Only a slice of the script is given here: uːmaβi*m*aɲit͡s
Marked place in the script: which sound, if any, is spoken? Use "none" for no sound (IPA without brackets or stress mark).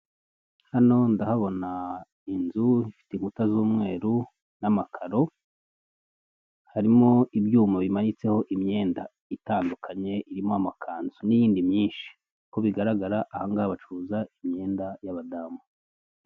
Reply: m